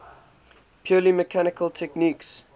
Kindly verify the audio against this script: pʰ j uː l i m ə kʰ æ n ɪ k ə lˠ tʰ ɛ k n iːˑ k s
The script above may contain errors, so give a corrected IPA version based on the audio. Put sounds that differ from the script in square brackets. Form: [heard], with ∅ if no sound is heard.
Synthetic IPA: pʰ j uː l i m ə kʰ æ n ɪ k ə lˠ tʰ ɛ k n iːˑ k s